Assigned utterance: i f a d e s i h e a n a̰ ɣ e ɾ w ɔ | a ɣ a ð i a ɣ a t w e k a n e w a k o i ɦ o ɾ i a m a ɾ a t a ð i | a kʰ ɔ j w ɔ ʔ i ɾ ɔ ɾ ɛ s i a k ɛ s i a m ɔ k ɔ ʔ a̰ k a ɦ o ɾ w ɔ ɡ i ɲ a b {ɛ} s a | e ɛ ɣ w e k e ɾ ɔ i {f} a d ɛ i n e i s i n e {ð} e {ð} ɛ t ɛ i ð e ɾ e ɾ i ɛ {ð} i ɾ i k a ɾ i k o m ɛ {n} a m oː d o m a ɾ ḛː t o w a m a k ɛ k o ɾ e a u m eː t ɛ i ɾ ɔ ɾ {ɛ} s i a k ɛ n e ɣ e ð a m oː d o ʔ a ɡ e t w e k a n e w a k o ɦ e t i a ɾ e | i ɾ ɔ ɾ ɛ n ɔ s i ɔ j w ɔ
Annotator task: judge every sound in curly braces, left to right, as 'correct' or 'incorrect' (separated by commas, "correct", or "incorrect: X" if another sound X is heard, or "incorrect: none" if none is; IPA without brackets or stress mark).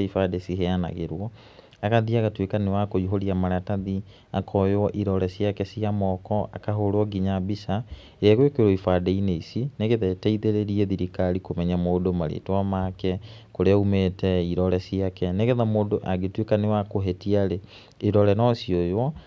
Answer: incorrect: i, correct, incorrect: ɣ, correct, correct, incorrect: ɲ, correct